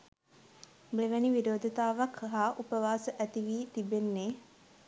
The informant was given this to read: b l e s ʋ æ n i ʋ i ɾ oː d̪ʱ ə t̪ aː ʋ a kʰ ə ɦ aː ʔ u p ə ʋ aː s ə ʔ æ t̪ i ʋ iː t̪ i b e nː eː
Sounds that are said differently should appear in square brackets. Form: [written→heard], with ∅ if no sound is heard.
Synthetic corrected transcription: b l e [s→∅] ʋ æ n i ʋ i ɾ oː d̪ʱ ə t̪ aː ʋ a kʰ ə ɦ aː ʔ u p ə ʋ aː s ə ʔ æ t̪ i ʋ iː t̪ i b e nː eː